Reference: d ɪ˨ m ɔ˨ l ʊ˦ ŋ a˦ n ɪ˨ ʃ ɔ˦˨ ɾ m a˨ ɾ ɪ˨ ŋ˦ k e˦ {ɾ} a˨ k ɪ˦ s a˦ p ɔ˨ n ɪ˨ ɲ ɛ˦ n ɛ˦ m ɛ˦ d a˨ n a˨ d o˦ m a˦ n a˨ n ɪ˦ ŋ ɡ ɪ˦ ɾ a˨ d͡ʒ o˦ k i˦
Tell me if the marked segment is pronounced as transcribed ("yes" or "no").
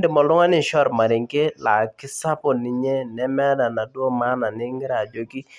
no